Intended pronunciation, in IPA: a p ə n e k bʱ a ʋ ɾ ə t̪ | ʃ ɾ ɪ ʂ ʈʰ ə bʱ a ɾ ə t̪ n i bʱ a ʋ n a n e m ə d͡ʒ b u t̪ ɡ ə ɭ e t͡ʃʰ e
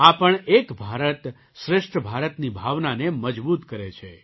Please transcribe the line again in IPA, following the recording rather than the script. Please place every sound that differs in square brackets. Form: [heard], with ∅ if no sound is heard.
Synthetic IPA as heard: a p ə [ɳ] e k bʱ a [∅] ɾ ə t̪ | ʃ ɾ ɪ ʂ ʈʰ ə bʱ a ɾ ə t̪ n i bʱ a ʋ n a n e m ə d͡ʒ b u t̪ [k] ə [ɾ] e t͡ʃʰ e